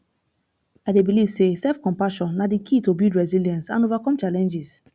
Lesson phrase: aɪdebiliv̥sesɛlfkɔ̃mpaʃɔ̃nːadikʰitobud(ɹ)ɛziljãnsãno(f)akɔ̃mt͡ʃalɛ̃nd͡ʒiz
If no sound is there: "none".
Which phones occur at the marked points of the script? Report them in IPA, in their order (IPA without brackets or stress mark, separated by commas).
ɹ, v